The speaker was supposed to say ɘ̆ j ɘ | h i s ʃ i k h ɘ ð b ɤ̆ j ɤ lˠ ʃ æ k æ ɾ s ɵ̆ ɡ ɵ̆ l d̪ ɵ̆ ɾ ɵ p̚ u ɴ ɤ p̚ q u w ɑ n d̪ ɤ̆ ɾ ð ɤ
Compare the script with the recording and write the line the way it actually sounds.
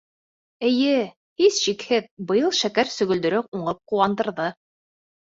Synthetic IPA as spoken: ɘ̆ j ɘ | h i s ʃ i k h ɘ ð b ɤ̆ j ɤ lˠ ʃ æ k æ ɾ s ɵ̆ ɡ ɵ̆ l d̪ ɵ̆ ɾ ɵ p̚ u ɴ ɤ p̚ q u w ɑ n d̪ ɤ̆ ɾ ð ɤ